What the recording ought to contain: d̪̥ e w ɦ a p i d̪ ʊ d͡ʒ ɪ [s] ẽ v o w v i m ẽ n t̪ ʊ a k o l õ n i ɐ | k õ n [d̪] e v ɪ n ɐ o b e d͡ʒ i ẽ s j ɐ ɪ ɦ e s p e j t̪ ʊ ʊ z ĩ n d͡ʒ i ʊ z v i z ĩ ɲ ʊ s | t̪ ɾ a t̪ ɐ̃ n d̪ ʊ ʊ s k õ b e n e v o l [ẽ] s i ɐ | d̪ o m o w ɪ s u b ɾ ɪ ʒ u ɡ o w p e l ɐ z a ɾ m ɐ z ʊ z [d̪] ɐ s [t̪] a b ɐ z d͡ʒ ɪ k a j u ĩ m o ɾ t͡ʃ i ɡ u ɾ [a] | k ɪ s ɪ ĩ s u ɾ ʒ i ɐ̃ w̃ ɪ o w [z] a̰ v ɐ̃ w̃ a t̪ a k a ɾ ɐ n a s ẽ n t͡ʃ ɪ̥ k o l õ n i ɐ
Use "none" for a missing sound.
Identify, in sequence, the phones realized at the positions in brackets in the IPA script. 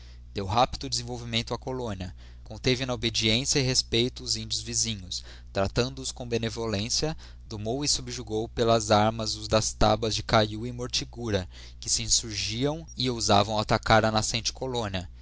z, t̪, ẽ, d̪, t̪, ɐ, z

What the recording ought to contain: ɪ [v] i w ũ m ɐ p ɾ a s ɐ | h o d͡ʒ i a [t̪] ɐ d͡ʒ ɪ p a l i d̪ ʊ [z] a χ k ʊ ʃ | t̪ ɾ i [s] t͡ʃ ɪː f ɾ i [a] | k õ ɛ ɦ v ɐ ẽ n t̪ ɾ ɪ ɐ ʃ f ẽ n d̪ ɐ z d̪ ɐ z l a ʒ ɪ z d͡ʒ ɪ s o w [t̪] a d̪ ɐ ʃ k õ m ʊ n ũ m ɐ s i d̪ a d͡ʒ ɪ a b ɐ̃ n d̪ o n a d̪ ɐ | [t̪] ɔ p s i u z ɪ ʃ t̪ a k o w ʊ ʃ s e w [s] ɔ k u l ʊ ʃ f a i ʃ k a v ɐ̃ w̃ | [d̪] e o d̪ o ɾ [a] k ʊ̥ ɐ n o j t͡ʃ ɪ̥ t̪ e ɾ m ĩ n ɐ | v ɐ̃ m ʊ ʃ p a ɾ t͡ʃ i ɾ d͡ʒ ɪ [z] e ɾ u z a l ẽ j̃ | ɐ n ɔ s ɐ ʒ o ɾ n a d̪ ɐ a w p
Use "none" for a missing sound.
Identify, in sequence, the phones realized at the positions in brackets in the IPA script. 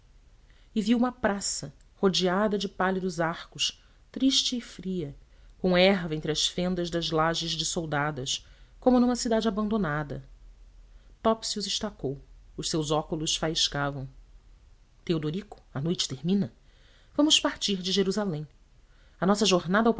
v, d̪, z, ʃ, ɐ, d̪, t̪, z, t̪, i, ʒ

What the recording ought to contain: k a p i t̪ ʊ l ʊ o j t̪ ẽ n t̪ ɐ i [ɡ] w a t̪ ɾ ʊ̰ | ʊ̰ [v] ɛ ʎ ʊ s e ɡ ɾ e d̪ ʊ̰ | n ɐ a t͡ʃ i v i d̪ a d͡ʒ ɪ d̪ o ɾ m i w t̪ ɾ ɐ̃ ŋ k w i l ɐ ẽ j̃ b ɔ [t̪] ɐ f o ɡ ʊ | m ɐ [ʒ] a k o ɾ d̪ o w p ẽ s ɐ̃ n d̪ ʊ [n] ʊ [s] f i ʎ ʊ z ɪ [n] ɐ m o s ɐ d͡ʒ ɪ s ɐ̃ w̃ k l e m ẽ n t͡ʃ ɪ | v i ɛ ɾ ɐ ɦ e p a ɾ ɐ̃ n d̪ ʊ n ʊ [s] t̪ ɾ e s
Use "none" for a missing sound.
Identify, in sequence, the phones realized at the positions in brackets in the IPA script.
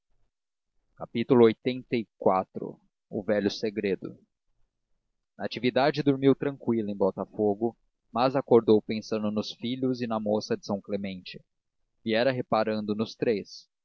k, v, t̪, z, n, s, n, s

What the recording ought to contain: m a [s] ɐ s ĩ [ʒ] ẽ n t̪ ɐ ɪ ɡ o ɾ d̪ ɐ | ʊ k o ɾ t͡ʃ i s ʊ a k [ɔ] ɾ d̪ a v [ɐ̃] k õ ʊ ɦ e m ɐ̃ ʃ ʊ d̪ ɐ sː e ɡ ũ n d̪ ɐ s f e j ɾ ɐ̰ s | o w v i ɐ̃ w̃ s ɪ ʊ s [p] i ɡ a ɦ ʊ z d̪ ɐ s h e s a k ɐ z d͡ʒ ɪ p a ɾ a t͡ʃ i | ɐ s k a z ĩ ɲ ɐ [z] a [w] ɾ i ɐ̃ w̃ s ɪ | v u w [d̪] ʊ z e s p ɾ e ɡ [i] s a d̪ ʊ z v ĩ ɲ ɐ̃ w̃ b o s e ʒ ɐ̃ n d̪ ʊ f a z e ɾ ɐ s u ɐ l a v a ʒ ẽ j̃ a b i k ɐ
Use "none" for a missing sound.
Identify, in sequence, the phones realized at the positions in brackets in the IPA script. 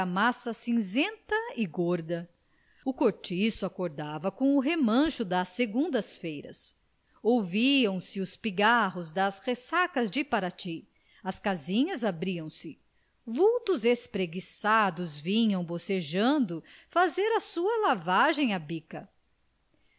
s, z, o, ɐ, p, z, b, t̪, i

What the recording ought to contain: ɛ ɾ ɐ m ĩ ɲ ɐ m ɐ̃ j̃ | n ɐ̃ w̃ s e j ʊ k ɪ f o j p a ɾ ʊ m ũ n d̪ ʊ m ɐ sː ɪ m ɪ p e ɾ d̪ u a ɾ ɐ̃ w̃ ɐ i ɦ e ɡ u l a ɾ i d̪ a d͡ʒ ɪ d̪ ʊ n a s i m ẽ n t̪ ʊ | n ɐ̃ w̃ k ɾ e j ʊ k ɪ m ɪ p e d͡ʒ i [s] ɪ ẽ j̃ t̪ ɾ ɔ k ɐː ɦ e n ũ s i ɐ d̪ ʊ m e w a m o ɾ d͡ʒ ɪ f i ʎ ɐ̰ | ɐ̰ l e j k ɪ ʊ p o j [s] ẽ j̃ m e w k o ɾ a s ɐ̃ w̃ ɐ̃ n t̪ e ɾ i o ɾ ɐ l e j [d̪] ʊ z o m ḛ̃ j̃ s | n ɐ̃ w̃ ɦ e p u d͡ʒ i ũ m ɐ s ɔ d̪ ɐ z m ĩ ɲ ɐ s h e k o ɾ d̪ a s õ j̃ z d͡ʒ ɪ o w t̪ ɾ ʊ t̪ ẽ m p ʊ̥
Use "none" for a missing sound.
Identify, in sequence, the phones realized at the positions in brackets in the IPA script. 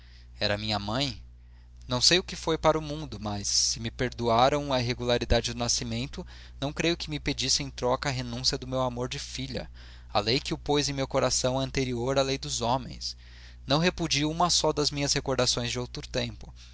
s, z, d̪

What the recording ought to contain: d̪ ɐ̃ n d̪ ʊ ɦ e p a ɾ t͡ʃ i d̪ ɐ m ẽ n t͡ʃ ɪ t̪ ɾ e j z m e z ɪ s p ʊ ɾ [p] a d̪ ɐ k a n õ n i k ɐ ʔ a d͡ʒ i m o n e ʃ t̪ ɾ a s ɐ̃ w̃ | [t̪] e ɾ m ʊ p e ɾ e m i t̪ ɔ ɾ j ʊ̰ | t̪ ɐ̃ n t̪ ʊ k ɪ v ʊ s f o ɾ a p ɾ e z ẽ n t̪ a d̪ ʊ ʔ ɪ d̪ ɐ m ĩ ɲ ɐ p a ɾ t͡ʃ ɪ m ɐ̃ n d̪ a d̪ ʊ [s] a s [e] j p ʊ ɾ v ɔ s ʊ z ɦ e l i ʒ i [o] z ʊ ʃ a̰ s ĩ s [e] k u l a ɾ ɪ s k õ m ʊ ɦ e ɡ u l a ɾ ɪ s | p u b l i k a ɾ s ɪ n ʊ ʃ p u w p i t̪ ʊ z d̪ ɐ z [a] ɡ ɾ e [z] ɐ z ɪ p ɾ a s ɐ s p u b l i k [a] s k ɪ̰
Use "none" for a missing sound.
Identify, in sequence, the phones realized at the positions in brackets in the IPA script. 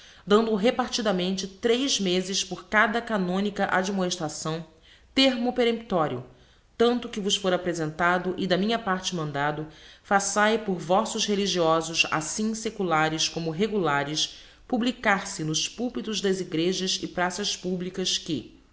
k, t̪, f, a, ɔ, e, i, ʒ, ɐ

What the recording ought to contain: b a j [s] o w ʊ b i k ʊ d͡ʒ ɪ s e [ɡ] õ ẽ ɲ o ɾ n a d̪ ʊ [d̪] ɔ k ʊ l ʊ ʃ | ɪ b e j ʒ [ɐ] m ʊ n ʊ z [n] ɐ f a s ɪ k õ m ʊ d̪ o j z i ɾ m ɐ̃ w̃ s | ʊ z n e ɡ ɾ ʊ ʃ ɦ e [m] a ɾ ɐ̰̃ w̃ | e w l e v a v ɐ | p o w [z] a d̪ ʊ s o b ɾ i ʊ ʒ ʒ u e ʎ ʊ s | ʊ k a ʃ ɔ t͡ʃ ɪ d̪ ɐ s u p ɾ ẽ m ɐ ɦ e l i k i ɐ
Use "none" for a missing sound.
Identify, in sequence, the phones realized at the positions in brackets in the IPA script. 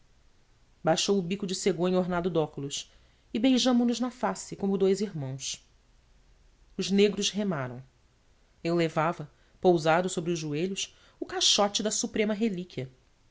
ʃ, ɡ, d̪, ɐ̃, n, m, z

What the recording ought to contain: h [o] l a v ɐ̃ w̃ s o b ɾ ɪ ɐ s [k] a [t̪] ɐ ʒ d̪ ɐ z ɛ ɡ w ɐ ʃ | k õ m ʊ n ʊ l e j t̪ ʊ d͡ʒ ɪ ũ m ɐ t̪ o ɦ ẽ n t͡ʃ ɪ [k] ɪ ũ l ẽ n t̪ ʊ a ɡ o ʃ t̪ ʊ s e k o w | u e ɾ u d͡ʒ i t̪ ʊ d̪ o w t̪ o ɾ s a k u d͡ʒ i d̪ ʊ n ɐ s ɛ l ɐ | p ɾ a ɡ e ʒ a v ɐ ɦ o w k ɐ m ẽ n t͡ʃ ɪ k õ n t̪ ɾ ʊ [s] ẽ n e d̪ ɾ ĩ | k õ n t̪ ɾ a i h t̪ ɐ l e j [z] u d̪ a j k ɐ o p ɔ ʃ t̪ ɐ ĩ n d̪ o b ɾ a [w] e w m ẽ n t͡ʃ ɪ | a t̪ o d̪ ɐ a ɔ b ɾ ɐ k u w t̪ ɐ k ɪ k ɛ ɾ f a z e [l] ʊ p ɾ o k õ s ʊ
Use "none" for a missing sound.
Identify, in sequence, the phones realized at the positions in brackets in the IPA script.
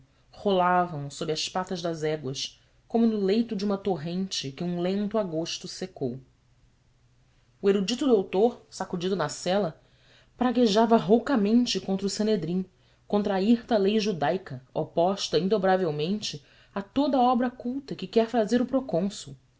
o, p, t̪, k, s, ʒ, v, ɾ

